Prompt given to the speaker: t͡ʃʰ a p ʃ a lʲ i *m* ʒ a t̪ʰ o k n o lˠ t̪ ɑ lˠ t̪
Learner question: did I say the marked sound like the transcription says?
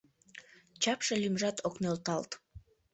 yes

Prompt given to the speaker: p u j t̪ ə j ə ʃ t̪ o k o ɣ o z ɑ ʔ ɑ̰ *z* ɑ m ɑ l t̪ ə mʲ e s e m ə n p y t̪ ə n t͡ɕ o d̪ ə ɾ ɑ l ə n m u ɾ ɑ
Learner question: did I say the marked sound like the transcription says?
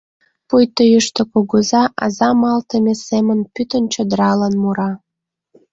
yes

